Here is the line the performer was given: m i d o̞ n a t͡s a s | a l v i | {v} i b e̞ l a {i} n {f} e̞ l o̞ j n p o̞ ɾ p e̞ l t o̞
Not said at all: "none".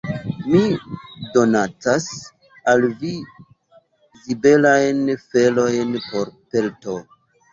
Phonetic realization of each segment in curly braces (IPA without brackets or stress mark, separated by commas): z, j, f